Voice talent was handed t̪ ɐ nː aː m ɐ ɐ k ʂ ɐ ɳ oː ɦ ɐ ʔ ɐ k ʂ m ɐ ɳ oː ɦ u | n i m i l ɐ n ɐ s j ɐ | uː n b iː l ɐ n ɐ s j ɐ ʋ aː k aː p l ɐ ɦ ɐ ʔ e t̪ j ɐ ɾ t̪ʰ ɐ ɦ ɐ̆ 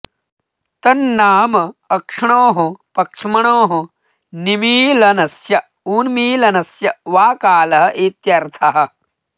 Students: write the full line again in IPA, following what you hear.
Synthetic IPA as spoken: t̪ ɐ nː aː m ɐ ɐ k ʂ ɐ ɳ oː ɦ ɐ p ɐ k ʂ m ɐ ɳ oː ɦ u | n i m iː l ɐ n ɐ s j ɐ | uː n m iː l ɐ n ɐ s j ɐ ʋ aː k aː l ɐ ɦ ɐ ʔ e t̪ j ɐ ɾ t̪ʰ ɐ ɦ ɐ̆